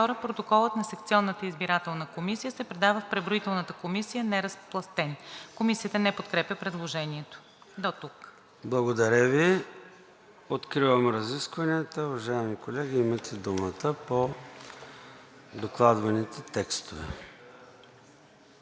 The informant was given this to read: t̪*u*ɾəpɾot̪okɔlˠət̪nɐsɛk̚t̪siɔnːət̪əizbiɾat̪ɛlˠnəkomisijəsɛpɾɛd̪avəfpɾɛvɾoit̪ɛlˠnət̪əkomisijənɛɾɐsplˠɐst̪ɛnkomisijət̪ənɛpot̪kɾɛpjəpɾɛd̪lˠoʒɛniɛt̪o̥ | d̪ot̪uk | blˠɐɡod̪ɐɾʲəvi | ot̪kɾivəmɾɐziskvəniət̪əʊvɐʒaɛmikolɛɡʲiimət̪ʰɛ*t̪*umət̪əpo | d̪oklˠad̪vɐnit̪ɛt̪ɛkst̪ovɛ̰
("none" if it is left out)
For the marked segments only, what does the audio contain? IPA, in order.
ɔ, d̪

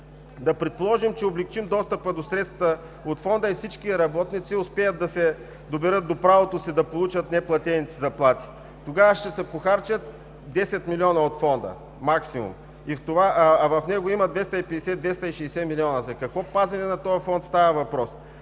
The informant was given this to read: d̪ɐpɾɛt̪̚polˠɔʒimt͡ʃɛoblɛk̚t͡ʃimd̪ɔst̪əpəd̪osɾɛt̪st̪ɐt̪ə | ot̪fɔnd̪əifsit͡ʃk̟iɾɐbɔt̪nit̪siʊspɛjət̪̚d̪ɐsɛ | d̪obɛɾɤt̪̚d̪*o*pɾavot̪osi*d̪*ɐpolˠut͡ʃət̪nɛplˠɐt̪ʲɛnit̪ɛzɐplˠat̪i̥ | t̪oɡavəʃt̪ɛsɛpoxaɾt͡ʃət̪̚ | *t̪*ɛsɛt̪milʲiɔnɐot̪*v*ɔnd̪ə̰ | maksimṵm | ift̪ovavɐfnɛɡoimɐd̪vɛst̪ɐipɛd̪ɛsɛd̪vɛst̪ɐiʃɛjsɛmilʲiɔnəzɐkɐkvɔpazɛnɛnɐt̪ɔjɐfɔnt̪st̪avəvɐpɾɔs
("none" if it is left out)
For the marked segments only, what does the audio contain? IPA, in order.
o, d̪, d̪, f

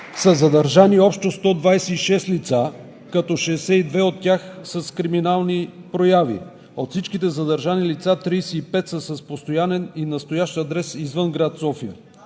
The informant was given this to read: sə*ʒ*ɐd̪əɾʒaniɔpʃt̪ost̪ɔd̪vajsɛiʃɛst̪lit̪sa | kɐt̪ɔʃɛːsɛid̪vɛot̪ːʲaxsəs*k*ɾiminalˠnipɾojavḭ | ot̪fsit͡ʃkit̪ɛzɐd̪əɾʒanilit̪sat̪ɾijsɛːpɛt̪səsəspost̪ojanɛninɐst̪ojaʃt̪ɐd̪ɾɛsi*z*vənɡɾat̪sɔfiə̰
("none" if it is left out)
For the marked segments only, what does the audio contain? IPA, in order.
z, k, z

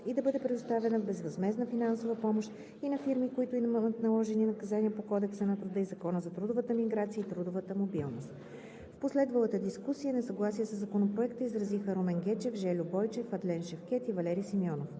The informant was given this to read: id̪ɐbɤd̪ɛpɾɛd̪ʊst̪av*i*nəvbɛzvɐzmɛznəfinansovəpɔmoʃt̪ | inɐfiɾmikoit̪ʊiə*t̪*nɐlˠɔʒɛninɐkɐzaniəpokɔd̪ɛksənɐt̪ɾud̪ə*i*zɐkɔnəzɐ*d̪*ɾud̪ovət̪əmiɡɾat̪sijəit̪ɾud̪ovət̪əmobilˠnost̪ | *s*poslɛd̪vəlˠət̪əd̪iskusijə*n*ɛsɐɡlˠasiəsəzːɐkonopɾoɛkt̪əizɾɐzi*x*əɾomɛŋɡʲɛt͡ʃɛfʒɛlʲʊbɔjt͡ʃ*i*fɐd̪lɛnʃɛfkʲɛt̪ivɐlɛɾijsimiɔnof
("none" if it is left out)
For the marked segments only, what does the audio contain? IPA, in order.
ɛ, t̪, i, t̪, f, n, x, ɛ

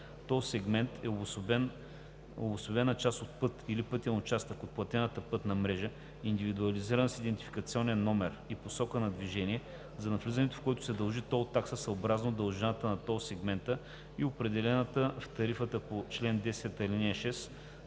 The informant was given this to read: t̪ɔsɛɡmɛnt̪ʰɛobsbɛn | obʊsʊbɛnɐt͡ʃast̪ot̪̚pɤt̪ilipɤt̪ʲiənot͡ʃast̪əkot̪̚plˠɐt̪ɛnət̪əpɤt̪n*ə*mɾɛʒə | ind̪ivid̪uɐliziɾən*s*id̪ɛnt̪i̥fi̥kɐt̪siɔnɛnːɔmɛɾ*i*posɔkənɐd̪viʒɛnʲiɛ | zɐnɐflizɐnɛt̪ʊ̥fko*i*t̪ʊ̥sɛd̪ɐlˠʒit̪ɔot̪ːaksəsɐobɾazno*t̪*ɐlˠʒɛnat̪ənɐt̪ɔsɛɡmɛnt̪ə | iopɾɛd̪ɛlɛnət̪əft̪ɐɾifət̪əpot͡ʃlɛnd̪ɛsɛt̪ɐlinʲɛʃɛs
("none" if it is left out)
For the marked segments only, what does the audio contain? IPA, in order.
ɐ, s, i, ɛ, d̪

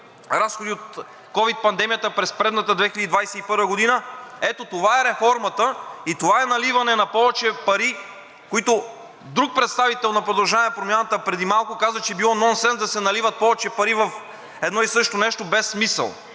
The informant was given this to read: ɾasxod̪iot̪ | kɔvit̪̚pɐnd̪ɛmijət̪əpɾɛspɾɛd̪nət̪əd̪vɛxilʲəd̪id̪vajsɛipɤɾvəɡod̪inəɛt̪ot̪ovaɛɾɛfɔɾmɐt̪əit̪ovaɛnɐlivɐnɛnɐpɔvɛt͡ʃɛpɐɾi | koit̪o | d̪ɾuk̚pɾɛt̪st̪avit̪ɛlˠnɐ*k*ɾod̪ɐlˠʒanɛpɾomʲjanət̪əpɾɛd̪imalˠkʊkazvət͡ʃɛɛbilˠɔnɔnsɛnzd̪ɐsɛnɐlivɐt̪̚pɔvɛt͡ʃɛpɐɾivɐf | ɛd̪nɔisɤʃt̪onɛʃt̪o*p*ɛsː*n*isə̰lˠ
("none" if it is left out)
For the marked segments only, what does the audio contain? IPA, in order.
p, b, m

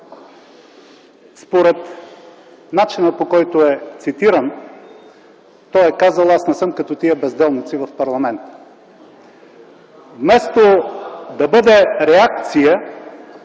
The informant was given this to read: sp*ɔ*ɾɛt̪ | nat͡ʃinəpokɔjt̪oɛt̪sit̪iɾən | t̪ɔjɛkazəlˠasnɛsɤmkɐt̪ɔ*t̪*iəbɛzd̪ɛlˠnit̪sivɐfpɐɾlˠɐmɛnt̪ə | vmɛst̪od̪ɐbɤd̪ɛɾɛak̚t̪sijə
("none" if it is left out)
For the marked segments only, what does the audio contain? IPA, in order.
o, t̪

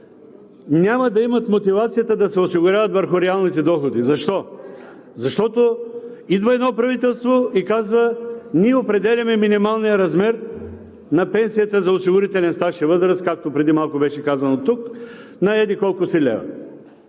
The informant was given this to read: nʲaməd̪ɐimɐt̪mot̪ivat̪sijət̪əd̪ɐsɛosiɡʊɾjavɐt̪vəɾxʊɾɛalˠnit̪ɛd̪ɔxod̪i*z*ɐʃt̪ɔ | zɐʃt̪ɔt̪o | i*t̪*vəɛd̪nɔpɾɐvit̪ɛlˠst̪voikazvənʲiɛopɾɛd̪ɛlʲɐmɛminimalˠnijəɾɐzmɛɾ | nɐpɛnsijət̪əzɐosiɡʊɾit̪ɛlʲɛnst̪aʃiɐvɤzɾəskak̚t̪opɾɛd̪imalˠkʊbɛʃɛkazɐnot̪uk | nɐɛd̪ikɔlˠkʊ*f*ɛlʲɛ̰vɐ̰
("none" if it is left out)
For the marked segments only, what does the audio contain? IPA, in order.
z, d̪, s

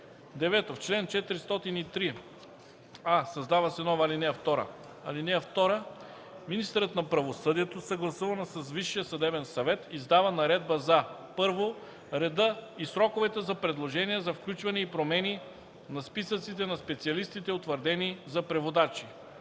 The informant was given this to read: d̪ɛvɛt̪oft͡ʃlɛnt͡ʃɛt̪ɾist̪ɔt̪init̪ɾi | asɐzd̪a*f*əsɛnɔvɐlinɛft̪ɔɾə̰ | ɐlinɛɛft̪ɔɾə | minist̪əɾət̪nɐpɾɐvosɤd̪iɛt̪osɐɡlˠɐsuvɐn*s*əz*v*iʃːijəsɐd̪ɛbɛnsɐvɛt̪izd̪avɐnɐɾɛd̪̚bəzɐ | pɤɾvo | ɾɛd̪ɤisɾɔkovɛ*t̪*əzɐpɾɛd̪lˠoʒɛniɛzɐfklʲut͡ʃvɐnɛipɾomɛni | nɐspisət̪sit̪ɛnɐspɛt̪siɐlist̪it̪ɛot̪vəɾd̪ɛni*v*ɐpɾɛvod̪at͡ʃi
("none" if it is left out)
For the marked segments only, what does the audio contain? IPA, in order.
v, s, v, t̪, z

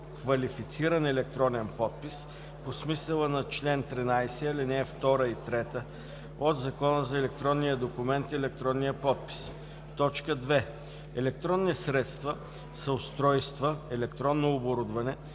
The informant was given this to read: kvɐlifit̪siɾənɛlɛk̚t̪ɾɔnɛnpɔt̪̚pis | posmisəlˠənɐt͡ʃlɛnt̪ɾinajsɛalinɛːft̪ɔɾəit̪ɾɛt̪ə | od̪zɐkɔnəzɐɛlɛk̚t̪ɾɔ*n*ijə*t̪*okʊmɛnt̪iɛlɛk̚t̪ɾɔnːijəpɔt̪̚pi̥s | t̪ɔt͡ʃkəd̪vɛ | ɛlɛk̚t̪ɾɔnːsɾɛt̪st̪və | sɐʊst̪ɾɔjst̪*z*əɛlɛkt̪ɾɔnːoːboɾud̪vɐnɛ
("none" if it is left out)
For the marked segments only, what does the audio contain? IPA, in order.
nː, d̪, v

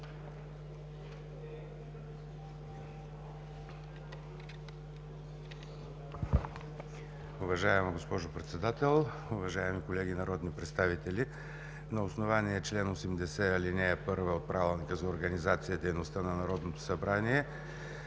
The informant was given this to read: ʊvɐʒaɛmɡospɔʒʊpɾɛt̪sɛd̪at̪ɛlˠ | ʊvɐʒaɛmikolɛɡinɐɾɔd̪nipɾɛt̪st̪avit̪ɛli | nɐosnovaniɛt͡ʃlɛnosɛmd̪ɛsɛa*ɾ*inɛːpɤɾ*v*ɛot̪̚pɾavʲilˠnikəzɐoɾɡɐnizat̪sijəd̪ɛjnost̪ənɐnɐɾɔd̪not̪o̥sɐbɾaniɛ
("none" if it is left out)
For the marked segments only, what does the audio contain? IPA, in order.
l, v

